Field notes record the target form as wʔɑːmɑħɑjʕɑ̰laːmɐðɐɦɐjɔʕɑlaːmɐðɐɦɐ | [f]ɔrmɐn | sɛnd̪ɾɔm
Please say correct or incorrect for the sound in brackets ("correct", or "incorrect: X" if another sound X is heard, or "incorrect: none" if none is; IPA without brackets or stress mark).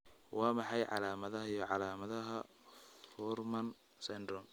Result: correct